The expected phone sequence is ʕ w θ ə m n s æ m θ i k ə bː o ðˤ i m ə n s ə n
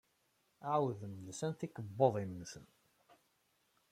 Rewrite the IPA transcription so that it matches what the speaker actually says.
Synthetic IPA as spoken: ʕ w ð ə m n s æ n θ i k ə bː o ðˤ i m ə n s ə n